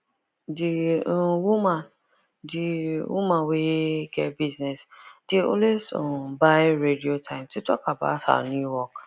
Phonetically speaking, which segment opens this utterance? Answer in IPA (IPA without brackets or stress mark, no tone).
d